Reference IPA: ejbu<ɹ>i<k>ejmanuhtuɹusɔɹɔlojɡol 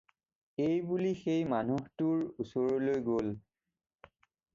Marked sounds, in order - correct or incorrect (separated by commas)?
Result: incorrect, incorrect